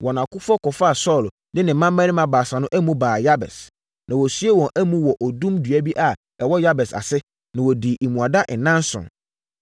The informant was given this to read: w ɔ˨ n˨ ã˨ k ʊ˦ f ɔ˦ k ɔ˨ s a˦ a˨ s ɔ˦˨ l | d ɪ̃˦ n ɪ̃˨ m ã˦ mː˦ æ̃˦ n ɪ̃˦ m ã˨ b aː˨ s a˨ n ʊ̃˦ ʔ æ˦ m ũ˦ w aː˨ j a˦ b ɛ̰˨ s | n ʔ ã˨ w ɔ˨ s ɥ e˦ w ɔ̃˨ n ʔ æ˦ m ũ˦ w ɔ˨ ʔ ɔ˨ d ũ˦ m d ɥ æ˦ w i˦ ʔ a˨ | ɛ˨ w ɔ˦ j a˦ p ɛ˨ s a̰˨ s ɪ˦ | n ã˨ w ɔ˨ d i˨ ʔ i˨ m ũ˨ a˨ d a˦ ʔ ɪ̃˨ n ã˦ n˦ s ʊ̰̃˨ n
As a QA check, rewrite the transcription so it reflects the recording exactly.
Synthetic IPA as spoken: w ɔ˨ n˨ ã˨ k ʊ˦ f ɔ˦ k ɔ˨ f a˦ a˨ s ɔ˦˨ l | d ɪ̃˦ n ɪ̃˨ m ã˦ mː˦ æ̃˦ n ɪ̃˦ m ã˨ b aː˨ s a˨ n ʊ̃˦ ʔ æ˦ m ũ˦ b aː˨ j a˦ b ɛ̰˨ s | n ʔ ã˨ w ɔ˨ s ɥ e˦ w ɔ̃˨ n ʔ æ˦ m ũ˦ w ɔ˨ ʔ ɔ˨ d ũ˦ m d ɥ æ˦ b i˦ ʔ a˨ | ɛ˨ w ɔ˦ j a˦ b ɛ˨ s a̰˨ s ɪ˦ | n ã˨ w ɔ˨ d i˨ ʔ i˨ m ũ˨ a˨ d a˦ ʔ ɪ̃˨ n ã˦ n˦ s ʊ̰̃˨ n